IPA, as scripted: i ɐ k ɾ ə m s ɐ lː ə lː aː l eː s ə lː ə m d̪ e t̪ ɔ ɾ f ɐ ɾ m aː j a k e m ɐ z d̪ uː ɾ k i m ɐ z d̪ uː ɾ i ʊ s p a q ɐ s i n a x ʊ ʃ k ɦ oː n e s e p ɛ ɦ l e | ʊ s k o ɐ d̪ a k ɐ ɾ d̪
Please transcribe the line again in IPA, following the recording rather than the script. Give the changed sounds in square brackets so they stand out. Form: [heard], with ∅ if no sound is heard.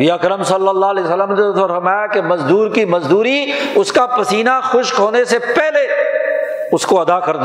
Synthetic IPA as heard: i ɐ k ɾ ə m s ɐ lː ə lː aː l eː s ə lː ə m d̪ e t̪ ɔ ɾ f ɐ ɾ m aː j a k e m ɐ z d̪ uː ɾ k i m ɐ z d̪ uː ɾ i ʊ s [k] a [p] ɐ s [iː] n a x ʊ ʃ k ɦ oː n e s e p ɛ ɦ l e | ʊ s k o ɐ d̪ a k ɐ ɾ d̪